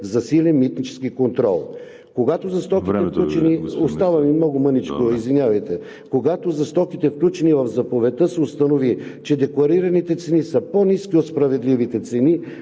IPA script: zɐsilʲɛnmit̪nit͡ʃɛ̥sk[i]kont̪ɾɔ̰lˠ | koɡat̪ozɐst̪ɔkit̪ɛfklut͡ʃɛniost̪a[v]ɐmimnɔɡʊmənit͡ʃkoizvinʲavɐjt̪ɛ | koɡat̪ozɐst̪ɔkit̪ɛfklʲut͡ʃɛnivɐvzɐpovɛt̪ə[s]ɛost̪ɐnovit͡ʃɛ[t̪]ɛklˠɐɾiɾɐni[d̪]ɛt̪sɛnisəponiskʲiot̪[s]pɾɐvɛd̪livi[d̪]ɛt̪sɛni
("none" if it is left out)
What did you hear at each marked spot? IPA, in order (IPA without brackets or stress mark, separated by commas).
i, v, s, d̪, t̪, s, t̪